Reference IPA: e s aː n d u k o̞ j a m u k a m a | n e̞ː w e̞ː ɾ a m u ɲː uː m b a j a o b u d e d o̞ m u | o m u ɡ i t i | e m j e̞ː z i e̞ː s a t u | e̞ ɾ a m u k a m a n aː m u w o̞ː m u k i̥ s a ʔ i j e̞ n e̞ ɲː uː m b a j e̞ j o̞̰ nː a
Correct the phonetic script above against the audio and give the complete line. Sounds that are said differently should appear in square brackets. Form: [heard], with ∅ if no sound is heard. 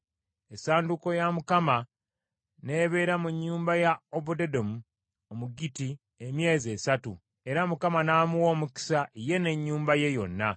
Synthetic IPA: e s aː n d u k o̞ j a m u k a m a | n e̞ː [β] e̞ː ɾ a m u ɲː uː m b a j a o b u d e d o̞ m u | o m u ɡ i t i | e m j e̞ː z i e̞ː s a t u | e̞ ɾ a m u k a m a n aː m u w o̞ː m u k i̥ s a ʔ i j e̞ n e̞ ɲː uː m b a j e̞ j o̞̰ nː a